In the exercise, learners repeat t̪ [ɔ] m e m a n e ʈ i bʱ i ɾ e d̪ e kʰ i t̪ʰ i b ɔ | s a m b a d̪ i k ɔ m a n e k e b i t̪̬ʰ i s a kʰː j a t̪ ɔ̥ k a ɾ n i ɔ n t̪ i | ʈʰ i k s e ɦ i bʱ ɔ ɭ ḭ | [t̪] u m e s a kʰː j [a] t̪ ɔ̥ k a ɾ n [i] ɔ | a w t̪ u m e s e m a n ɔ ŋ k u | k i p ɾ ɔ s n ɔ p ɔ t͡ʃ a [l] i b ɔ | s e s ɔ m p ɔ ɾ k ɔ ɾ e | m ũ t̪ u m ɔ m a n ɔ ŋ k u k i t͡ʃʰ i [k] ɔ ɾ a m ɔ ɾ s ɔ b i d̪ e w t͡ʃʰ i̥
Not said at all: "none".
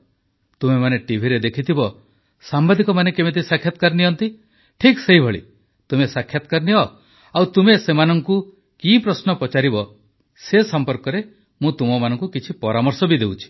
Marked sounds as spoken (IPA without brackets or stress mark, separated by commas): u, t̪, a, i, ɾ, p